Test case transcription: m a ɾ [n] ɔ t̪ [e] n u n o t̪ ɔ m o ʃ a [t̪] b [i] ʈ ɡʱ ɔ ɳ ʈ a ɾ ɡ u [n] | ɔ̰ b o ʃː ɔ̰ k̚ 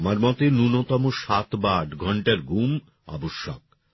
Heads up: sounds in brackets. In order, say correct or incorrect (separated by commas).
incorrect, correct, correct, incorrect, incorrect